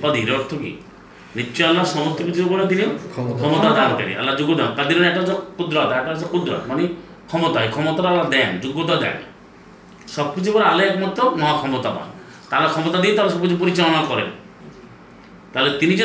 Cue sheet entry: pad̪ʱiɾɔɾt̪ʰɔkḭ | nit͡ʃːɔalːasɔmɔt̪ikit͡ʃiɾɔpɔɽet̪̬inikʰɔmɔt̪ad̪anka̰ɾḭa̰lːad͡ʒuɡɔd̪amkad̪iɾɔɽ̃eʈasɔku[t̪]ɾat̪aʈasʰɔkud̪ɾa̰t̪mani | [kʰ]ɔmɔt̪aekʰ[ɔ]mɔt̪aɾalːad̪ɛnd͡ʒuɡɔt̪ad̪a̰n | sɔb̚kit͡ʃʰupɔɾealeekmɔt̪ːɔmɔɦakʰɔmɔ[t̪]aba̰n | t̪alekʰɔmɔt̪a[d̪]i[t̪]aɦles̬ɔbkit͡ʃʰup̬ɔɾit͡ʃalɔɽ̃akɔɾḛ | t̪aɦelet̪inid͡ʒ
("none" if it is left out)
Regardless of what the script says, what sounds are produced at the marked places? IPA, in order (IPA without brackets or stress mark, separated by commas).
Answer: d̪, kʰ, ɔ, t̪, d̪, t̪